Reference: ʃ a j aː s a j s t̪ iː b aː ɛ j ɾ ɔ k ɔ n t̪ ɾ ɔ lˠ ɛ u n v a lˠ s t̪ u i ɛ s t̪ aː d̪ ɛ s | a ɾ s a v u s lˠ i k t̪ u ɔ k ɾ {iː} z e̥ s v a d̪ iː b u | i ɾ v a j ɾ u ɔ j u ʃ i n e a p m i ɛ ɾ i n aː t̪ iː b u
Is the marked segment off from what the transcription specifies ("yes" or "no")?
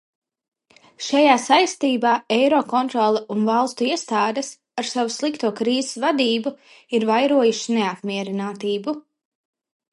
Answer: no